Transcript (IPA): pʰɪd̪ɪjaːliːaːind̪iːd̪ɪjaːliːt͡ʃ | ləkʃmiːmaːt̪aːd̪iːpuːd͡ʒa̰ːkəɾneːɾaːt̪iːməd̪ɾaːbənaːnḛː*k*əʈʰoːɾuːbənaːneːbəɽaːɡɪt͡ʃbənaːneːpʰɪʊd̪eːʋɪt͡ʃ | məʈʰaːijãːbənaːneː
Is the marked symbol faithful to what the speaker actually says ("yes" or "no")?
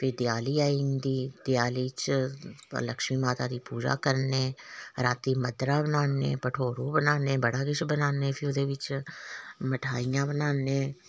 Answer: no